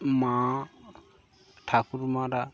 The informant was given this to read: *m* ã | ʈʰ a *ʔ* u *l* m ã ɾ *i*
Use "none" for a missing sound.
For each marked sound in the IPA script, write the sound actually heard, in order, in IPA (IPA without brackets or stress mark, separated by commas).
m, k, ɾ, a